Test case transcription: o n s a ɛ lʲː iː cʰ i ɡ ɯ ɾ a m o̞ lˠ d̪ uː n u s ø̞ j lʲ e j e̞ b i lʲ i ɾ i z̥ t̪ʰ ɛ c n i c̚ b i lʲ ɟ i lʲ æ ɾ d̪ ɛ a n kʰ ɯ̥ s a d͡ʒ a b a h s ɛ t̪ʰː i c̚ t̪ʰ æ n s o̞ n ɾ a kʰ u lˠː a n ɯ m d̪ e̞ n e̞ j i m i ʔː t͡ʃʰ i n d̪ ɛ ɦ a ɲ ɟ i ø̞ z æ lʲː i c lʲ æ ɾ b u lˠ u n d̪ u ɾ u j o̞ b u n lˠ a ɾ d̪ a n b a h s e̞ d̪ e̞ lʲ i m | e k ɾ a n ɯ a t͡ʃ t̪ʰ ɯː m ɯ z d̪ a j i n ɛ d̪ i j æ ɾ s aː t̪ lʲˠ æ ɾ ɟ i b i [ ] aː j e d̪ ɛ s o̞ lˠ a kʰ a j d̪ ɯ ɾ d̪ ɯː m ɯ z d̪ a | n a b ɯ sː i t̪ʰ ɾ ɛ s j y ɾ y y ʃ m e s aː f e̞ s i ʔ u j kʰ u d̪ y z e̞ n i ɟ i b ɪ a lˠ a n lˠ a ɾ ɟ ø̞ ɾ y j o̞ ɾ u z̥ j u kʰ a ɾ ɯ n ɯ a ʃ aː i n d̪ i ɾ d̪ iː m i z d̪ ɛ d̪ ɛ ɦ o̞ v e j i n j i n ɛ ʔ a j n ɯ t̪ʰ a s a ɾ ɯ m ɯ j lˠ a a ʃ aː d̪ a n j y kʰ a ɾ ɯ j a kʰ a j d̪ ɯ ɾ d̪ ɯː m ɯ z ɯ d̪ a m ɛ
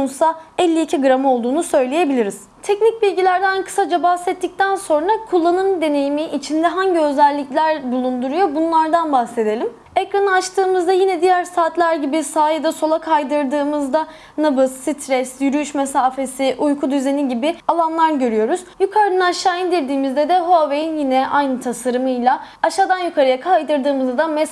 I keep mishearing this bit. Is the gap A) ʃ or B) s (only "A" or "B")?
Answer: B